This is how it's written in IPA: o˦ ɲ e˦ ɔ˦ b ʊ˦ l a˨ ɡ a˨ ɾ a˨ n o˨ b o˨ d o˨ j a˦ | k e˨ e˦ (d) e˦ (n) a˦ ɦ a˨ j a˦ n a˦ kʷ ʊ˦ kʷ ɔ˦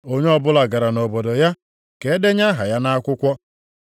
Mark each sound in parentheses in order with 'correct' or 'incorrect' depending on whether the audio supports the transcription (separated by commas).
correct, incorrect